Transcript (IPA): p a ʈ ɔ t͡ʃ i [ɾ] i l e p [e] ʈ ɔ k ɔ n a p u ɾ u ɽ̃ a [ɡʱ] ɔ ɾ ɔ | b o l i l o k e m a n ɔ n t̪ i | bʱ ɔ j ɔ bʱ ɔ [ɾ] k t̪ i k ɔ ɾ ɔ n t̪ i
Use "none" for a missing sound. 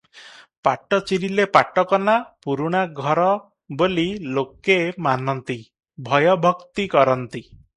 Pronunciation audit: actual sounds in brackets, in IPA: ɾ, a, ɡʱ, none

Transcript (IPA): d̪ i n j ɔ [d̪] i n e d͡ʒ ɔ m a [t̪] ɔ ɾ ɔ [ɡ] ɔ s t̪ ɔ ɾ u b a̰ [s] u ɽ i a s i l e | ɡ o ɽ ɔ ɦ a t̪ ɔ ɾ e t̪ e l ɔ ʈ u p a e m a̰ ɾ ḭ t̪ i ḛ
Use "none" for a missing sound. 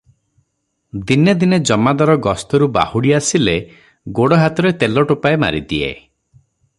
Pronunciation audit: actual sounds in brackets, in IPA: d̪, d̪, ɡ, h

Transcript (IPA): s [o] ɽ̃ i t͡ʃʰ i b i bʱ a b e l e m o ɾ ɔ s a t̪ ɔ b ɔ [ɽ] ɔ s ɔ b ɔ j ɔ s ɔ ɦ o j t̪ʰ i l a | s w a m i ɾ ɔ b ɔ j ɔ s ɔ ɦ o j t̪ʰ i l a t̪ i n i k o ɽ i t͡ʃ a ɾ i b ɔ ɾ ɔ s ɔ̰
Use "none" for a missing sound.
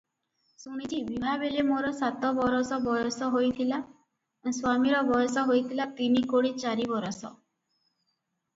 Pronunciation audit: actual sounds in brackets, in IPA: u, ɾ

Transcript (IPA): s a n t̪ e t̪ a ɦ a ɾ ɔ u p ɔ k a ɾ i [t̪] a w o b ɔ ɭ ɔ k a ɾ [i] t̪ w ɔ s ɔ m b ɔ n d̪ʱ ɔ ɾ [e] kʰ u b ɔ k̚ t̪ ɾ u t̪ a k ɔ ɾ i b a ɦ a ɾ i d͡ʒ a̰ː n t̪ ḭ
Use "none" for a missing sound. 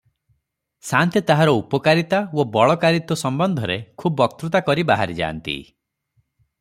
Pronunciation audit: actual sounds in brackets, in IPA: t̪, i, e

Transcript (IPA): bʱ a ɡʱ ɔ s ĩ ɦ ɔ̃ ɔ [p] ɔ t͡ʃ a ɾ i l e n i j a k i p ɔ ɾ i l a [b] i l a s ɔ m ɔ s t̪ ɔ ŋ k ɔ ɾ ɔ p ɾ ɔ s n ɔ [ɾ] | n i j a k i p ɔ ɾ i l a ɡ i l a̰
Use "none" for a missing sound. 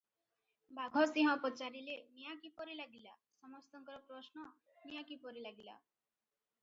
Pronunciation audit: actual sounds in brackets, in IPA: p, ɡ, none

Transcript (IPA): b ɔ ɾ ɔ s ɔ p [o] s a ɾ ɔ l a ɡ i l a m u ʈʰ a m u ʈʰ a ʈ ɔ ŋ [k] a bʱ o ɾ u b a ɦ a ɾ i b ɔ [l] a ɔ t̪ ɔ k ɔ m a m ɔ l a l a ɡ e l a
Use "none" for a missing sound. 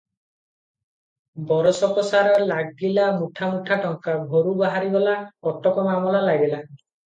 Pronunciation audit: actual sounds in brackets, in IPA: ɔ, k, l

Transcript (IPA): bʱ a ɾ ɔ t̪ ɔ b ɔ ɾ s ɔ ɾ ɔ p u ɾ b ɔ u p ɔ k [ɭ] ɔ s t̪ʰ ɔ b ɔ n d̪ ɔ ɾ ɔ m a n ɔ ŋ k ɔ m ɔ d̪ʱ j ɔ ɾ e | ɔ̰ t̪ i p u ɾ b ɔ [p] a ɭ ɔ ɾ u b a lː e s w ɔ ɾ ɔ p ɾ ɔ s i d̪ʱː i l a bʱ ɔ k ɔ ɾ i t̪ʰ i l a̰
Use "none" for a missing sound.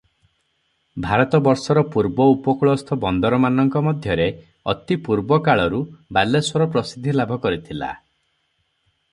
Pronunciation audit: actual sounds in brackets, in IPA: ɭ, k

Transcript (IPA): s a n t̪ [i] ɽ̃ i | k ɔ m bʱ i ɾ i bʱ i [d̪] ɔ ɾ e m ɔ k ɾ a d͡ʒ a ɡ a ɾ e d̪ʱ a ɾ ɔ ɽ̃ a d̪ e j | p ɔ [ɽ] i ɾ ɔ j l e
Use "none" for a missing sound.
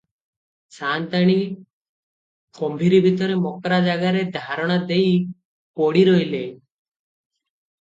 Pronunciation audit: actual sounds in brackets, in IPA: a, t̪, ɽ

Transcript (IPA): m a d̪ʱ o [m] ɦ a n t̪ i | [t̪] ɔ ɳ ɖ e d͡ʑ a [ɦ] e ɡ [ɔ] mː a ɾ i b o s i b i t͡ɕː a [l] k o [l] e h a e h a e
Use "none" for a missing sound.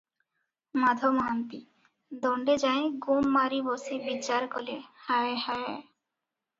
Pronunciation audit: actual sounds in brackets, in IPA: m, d̪, none, u, ɾ, l

